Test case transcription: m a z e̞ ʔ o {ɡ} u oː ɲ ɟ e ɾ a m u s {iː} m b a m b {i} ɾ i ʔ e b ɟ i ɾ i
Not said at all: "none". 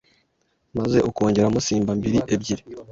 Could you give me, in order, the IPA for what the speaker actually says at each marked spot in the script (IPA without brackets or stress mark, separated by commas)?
k, iː, i